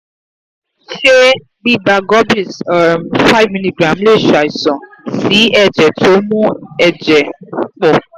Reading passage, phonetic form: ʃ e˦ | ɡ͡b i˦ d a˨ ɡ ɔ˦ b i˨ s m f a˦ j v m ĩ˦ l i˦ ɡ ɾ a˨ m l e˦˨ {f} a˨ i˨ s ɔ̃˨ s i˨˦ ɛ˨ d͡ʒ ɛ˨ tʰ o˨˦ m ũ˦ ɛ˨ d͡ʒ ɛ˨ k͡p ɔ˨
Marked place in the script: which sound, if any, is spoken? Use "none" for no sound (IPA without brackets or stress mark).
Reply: ʃ